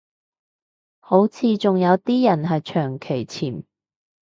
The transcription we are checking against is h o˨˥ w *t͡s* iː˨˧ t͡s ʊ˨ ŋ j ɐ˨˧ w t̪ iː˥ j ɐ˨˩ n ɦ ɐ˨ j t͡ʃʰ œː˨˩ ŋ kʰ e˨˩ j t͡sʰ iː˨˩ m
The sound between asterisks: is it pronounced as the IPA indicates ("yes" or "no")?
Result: no